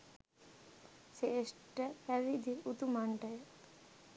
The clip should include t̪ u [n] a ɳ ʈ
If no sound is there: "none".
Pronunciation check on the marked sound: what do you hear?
m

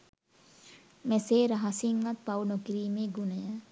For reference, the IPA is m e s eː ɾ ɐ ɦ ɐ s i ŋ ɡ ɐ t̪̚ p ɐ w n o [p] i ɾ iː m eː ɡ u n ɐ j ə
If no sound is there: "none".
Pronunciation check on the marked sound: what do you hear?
k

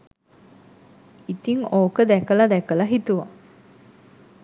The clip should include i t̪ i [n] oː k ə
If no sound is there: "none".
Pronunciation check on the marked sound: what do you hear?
ŋ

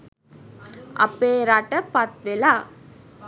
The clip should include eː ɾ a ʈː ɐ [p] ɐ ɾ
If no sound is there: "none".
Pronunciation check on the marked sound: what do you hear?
p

